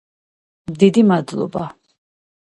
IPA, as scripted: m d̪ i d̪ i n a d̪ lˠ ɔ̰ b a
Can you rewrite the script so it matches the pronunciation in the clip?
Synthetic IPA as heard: m d̪ i d̪ i m a d̪ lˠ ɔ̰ b a